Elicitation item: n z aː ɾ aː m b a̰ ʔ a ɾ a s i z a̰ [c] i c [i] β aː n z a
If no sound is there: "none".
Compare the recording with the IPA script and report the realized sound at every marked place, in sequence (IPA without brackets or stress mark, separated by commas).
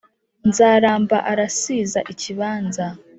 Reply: ʔ, i